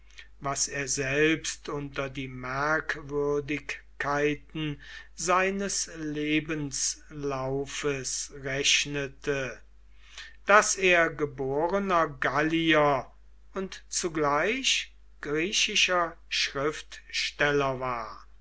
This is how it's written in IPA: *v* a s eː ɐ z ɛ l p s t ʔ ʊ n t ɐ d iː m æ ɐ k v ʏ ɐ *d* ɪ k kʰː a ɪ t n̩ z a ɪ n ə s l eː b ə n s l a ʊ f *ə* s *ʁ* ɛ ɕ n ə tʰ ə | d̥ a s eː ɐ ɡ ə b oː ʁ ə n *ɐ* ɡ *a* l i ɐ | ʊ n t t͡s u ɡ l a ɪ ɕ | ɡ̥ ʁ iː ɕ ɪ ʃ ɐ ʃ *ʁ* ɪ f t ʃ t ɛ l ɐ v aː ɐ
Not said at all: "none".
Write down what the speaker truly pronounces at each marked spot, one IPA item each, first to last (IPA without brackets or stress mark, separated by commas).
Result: v, d, ə, ʁ, ɐ, a, ʁ